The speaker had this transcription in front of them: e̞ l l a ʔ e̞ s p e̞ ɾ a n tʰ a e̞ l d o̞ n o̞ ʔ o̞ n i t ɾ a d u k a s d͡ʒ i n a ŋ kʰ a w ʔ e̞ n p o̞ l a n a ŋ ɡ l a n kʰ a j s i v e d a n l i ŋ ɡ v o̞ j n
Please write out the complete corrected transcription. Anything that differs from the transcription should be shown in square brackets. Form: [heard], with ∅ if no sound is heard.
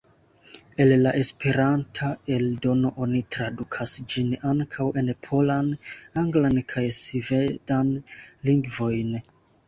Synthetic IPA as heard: e̞ l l a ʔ e̞ s p e̞ ɾ a n tʰ a e̞ l d o̞ n o̞ ʔ o̞ n i t ɾ a d u [kʰ] a s d͡ʒ i n a ŋ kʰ a w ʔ e̞ n [pʰ] o̞ l a n a ŋ ɡ l a n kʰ a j s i v e d a n l i ŋ ɡ v o̞ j n

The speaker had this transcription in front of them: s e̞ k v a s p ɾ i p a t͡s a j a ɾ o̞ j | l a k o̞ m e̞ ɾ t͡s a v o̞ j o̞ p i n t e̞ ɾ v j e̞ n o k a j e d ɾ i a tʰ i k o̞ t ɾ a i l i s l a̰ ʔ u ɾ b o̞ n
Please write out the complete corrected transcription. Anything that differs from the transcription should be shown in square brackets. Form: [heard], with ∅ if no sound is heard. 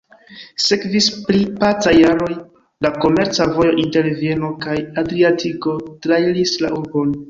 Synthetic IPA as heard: s e̞ k v [i] s p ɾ i p a t͡s a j a ɾ o̞ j | l a k o̞ m e̞ ɾ t͡s a v o̞ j o̞ [ʔ] i n t e̞ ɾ v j e̞ n o k a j [a] d ɾ i a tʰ i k o̞ t ɾ a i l i s l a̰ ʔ u ɾ b o̞ n

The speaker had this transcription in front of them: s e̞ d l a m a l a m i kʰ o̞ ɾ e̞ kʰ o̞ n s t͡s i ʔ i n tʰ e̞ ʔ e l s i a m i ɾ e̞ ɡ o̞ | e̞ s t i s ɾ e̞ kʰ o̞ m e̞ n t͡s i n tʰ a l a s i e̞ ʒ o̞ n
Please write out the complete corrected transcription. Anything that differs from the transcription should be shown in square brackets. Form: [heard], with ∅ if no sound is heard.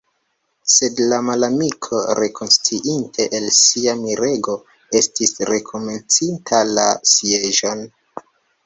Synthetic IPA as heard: s e̞ d l a m a l a m i kʰ o̞ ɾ e̞ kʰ o̞ n s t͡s i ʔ i n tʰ e̞ ʔ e l s i a m i ɾ e̞ ɡ o̞ | e̞ s t i s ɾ e̞ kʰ o̞ m e̞ n t͡s i n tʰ a l a s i e̞ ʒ o̞ n

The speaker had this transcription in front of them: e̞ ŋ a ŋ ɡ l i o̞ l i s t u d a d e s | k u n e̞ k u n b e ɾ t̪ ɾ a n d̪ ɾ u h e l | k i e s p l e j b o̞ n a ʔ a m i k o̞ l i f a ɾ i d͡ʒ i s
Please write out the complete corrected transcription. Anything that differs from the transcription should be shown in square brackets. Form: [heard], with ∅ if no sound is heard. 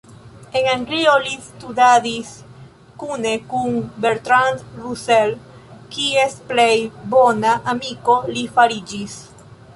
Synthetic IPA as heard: e̞ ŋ a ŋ ɡ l i o̞ l i s t u d a d [i] s | k u n e̞ k u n b e ɾ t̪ ɾ a n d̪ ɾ u [s] e l | k i e s p l e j b o̞ n a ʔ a m i k o̞ l i f a ɾ i d͡ʒ i s

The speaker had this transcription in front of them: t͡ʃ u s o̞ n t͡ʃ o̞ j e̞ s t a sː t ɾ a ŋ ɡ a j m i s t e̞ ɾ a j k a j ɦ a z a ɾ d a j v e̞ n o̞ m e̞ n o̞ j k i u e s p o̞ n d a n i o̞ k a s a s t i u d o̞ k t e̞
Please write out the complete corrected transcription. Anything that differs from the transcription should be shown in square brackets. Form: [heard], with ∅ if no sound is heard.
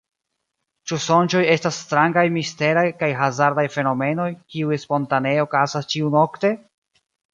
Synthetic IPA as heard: t͡ʃ u s o̞ n t͡ʃ o̞ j e̞ s t a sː t ɾ a ŋ ɡ a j m i s t e̞ ɾ a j k a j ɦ a z a ɾ d a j [f] e̞ n o̞ m e̞ n o̞ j k i u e s p o̞ n [t] a n [e] o̞ k a s a s [t͡ʃ] i u [n] o̞ k t e̞

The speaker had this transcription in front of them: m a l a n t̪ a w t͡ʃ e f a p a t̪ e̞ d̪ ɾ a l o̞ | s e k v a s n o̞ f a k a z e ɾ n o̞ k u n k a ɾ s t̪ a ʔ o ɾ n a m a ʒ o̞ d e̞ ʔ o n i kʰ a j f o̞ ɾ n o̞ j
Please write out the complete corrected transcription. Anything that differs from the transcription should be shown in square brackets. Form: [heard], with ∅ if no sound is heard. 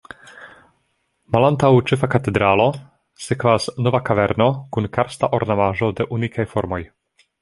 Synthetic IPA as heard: m a l a n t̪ a w t͡ʃ e f a [k] a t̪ e̞ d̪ ɾ a l o̞ | s e k v a s n o̞ [v] a k a [v] e ɾ n o̞ k u n k a ɾ s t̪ a ʔ o ɾ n a m a ʒ o̞ d e̞ ʔ [u] n i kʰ a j f o̞ ɾ [m] o̞ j

